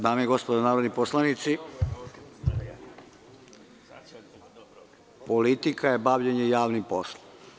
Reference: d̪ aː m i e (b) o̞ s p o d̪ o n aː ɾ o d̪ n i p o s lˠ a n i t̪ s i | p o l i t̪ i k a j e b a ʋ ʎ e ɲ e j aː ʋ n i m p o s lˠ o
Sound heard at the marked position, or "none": ɡ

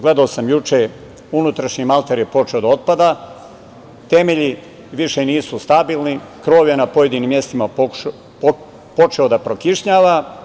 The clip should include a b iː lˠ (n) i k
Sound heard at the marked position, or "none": n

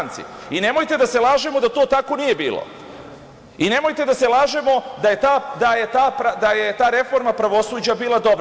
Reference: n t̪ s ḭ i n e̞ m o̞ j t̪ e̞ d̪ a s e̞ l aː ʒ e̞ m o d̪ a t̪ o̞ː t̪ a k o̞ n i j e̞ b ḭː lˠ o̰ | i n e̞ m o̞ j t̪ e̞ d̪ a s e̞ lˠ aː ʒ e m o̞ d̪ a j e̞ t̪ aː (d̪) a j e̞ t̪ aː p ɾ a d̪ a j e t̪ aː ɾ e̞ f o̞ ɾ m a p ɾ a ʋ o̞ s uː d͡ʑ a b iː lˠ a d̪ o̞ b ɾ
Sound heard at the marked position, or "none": d̪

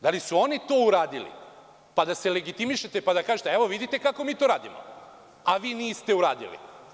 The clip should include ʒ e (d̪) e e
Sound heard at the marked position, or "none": t̪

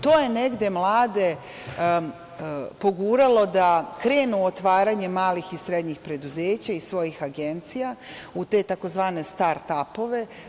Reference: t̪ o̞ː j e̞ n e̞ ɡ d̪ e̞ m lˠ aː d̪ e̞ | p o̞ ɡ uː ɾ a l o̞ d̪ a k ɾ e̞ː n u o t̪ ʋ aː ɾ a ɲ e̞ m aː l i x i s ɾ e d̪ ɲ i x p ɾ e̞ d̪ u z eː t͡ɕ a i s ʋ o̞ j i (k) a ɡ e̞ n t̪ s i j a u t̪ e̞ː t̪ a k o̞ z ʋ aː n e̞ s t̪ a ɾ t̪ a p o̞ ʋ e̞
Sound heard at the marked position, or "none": x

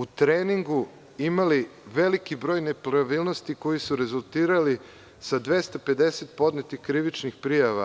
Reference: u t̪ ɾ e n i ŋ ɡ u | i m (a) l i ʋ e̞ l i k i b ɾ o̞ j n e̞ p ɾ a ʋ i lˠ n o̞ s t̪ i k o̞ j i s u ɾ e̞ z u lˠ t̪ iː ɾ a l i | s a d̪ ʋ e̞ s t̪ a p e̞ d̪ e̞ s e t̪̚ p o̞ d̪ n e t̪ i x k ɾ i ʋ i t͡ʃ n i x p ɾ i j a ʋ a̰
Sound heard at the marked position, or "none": a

